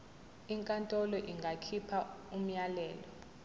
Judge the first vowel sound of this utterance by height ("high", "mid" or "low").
high